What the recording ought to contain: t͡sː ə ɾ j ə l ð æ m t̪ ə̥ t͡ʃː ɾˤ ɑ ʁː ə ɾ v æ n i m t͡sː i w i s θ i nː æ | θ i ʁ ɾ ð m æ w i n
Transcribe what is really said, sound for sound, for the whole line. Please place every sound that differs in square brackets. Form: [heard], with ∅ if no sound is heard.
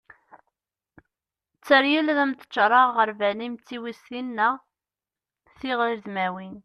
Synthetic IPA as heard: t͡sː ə ɾ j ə l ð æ m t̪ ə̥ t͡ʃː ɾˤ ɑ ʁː ə ɾ v æ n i m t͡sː i w i s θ i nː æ | θ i ʁ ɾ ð m æ w i n